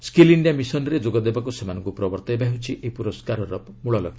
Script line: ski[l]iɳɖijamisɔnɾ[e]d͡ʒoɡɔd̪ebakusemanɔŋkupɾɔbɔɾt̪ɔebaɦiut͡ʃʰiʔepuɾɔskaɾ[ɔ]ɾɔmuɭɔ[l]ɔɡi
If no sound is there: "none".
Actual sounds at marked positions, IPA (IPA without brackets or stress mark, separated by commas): l, e, ɔ, l